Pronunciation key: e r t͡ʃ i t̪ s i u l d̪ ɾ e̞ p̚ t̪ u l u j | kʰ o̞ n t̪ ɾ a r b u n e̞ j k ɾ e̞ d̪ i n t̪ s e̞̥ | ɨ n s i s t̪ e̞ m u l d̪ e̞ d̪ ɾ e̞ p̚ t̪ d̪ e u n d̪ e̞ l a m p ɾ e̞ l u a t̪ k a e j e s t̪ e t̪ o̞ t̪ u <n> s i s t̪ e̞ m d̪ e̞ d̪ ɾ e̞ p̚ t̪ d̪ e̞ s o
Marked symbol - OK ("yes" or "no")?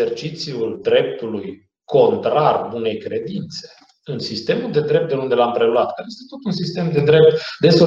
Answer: yes